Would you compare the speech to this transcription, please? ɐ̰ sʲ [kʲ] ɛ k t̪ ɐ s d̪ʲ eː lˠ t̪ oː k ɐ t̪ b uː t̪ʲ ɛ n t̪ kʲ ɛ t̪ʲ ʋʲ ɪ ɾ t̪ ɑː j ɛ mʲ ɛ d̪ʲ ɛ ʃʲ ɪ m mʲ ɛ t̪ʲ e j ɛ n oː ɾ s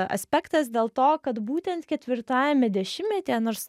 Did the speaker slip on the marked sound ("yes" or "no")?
yes